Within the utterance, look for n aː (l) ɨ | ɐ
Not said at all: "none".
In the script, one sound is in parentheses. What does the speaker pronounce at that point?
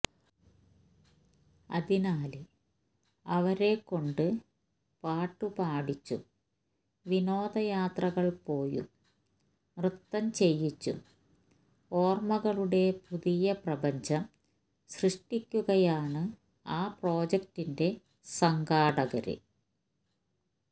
l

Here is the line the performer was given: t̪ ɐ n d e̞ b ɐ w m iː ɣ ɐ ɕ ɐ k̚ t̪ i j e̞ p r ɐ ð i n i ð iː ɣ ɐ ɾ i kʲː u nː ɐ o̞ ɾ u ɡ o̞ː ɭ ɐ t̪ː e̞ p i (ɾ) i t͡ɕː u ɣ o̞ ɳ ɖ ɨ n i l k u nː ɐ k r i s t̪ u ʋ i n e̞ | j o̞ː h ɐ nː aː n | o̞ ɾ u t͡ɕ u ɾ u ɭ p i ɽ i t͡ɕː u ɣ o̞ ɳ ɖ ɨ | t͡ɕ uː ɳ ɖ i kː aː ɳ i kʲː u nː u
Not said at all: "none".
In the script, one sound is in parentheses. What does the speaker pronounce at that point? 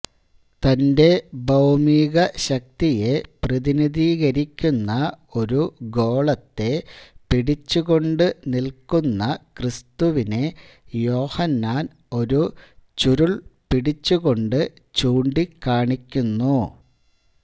ɽ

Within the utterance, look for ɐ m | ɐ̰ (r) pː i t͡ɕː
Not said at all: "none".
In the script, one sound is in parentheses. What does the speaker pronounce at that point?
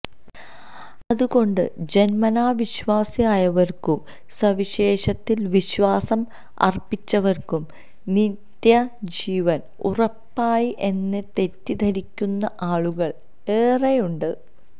r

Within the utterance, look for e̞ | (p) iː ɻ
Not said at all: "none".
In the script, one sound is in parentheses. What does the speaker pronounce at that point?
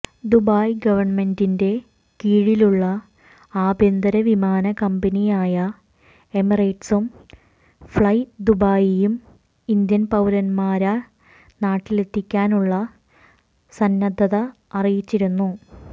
k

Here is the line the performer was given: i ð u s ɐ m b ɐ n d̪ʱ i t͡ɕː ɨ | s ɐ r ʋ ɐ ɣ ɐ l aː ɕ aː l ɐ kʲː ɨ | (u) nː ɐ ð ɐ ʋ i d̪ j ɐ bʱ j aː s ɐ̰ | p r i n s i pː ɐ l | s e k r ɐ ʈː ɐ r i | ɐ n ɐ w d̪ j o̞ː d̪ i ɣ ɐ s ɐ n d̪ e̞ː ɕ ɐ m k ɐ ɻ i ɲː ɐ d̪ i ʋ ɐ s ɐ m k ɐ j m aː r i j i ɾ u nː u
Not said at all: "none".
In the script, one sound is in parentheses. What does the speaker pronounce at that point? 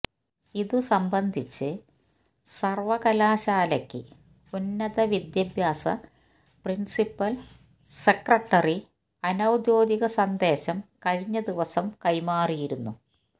u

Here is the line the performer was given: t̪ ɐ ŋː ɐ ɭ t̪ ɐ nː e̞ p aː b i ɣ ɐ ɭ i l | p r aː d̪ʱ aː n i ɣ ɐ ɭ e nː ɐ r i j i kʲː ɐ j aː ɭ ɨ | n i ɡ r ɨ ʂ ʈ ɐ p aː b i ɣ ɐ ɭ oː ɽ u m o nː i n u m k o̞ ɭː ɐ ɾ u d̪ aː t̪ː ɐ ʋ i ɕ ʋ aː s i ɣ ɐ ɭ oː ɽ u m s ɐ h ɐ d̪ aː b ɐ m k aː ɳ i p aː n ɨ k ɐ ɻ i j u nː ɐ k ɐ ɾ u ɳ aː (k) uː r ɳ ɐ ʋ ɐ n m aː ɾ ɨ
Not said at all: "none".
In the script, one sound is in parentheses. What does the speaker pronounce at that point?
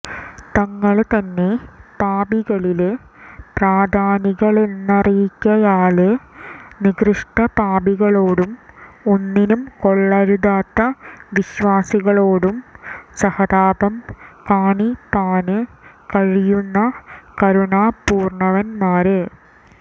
p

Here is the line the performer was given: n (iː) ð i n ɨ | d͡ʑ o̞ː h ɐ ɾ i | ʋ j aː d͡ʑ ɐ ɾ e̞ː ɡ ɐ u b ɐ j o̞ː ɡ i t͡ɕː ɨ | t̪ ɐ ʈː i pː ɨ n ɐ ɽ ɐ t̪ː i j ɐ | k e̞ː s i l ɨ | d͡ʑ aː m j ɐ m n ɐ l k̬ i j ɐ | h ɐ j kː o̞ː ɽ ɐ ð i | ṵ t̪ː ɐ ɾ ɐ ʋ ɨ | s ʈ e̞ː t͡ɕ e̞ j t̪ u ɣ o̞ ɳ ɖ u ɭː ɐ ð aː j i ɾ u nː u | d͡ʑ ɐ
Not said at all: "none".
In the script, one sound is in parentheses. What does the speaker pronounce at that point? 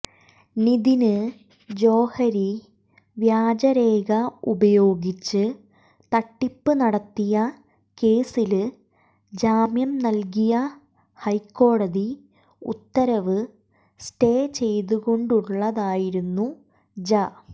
i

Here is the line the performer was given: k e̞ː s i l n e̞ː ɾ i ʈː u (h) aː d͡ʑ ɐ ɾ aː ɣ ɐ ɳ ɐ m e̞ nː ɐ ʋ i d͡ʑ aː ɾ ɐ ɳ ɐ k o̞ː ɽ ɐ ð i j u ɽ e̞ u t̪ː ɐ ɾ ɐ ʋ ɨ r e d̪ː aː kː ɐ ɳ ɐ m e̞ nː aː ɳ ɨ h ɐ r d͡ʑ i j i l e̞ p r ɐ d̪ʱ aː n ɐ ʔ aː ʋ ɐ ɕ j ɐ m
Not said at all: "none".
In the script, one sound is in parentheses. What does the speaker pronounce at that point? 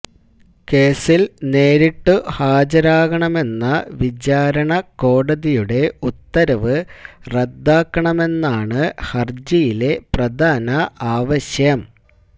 h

